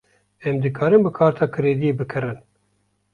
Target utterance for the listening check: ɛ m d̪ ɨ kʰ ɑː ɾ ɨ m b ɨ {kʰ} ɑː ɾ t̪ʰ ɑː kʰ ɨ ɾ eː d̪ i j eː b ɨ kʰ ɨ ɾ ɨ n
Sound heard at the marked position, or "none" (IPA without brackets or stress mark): kʰ